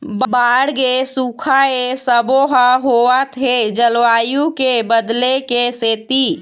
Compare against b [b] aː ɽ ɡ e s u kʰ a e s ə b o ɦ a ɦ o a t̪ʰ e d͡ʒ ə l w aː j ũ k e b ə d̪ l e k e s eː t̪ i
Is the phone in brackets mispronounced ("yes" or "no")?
no